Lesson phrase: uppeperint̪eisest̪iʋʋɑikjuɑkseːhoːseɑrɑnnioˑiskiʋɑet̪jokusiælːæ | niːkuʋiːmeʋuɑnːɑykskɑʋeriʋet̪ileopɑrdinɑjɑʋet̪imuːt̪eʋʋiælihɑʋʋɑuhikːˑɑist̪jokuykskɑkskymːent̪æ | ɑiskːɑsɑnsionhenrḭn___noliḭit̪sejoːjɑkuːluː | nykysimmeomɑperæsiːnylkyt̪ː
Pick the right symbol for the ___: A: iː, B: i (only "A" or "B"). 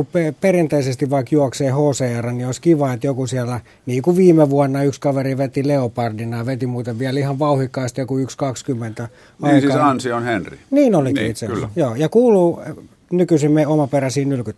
A